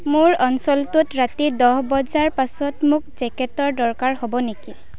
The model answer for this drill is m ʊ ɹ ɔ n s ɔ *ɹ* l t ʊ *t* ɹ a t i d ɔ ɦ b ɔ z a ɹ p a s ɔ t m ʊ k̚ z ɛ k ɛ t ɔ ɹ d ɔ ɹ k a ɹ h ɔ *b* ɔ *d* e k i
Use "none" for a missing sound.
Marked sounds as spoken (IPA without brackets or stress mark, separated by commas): none, t, b, n